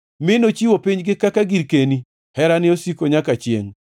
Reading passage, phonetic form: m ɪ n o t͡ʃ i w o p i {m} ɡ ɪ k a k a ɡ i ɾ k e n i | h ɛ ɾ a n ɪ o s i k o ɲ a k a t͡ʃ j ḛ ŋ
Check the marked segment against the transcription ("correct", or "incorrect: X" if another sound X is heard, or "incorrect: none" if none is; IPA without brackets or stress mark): incorrect: ɲ